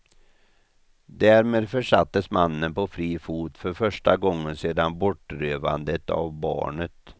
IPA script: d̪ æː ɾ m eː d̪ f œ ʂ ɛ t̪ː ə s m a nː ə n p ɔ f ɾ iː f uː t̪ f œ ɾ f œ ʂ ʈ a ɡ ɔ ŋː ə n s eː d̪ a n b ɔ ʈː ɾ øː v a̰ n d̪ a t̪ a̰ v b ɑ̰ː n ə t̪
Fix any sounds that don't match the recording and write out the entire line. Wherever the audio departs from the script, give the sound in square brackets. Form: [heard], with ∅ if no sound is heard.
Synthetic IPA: d̪ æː ɾ m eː d̪ f œ ʂ [a] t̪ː ə s m a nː ə n p ɔ f ɾ iː f uː t̪ f œ ɾ f œ ʂ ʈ a ɡ ɔ ŋː ə n s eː d̪ a n b ɔ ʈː ɾ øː v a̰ n d̪ [ə] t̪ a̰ v b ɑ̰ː [ɳ] ə t̪